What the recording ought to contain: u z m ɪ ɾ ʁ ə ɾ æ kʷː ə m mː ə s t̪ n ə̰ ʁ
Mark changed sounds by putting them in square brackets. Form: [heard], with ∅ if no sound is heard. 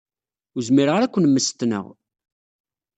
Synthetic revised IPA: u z m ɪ ɾ ʁ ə ɾ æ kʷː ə [n] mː ə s t̪ n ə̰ ʁ